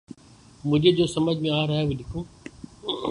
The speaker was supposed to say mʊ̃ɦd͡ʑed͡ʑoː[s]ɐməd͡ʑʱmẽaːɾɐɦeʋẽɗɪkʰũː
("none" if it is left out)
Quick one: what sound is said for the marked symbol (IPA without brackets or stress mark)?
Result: s